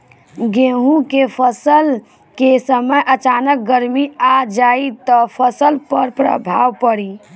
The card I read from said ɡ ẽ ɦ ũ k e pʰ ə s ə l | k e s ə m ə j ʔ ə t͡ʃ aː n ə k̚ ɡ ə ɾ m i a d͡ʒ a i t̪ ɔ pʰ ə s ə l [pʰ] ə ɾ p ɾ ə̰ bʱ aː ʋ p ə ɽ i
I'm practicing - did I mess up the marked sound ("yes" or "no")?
yes